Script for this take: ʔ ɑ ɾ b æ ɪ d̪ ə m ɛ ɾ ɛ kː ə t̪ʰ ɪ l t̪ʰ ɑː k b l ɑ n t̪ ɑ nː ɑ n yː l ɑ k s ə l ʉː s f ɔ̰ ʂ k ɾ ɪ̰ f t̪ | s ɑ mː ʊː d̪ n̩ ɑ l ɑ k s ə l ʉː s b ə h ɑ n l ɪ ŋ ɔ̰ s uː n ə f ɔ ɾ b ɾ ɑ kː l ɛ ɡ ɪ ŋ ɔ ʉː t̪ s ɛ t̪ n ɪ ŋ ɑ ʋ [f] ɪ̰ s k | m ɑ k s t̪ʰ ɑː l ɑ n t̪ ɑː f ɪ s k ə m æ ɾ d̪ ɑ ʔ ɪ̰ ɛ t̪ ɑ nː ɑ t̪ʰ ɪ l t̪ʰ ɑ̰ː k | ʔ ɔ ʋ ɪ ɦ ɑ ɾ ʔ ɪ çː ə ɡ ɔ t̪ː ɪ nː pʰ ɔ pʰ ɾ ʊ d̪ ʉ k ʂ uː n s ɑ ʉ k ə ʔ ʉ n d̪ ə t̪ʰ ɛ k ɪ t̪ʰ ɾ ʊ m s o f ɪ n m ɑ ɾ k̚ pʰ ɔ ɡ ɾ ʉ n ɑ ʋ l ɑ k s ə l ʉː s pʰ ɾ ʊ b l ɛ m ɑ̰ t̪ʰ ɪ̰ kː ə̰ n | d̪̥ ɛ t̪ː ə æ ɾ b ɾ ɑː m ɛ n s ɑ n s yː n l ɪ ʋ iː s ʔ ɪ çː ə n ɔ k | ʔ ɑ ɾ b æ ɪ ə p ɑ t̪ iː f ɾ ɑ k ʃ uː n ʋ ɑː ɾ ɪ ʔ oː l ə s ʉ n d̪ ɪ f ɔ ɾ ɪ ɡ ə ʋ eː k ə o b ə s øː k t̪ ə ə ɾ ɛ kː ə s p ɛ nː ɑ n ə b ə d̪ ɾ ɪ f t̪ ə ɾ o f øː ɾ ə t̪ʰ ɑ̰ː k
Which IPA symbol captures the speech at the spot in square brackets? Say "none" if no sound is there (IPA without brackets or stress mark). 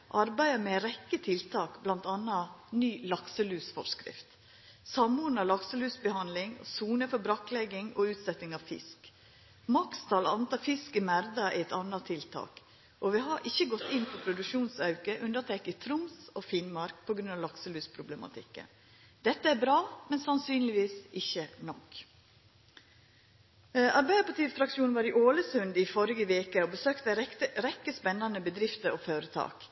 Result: f